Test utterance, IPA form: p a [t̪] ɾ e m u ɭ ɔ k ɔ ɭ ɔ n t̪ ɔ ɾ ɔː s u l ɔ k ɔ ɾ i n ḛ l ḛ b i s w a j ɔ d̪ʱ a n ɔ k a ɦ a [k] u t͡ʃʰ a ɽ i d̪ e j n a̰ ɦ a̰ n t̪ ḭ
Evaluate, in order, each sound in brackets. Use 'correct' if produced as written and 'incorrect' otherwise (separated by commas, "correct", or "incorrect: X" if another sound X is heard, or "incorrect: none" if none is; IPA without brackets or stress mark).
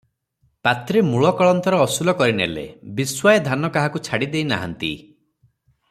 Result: correct, correct